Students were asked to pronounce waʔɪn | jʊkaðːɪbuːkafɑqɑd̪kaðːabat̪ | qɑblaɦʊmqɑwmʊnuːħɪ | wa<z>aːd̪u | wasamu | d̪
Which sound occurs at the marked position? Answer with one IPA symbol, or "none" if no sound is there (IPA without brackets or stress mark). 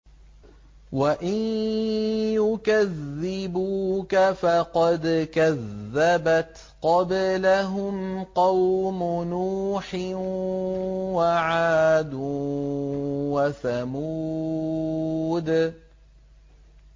ʕ